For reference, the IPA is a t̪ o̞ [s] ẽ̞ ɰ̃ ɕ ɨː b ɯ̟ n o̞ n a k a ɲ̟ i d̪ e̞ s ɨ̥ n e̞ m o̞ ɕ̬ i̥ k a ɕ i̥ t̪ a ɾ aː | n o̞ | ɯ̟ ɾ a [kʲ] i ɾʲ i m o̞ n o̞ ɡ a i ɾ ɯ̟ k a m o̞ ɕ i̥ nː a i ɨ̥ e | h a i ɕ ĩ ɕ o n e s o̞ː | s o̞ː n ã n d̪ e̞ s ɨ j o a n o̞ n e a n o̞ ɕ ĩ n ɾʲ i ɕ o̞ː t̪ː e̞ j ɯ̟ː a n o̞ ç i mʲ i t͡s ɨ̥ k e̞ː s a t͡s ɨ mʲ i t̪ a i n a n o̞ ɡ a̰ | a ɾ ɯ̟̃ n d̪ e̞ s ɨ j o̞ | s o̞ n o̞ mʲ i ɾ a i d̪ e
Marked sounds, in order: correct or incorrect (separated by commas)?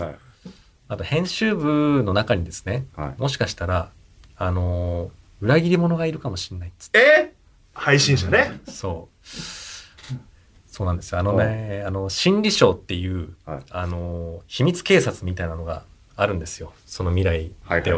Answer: incorrect, incorrect